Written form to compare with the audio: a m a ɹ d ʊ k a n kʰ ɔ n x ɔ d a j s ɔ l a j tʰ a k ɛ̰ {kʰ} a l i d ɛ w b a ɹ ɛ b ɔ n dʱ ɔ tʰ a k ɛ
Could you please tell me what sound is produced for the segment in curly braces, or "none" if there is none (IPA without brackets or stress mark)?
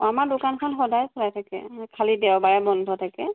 kʰ